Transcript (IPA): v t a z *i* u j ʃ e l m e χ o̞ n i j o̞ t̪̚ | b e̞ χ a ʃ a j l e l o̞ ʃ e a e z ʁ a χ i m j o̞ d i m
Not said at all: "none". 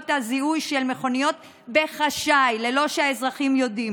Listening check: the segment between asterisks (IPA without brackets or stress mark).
i